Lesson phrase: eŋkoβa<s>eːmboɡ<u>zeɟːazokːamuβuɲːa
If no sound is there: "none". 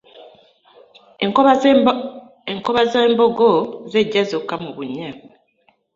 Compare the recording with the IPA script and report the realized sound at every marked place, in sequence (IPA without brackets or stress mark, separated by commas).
z, o